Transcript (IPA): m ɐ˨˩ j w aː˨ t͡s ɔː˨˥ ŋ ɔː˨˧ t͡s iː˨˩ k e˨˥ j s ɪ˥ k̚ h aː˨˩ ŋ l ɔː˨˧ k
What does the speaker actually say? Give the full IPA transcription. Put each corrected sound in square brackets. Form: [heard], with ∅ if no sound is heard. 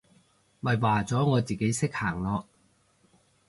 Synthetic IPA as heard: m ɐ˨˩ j w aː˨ t͡s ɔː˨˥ ŋ ɔː˨˧ t͡s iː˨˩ k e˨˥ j s ɪ˥ k̚ h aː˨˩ ŋ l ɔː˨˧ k